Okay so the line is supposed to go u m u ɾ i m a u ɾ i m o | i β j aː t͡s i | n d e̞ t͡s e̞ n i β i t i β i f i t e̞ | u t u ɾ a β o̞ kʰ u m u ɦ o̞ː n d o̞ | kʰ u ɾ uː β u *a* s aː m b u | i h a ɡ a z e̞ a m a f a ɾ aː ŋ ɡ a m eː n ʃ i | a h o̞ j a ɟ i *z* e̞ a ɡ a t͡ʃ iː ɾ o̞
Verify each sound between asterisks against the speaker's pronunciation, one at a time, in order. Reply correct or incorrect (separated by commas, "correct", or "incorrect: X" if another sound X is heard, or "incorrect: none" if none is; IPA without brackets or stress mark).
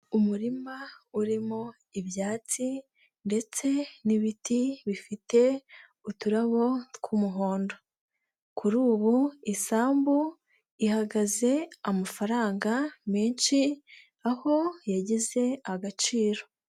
incorrect: i, correct